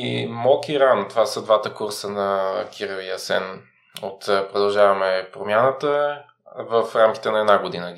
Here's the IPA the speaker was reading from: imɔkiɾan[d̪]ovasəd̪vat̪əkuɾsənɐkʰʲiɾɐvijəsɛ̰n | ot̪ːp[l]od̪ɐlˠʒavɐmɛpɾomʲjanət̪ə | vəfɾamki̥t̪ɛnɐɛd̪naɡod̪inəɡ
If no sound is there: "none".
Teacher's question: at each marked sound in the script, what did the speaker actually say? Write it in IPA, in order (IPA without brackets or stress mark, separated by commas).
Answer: t̪, ɾ